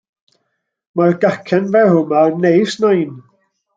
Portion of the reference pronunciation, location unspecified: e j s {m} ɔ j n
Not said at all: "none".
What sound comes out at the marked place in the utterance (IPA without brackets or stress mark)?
n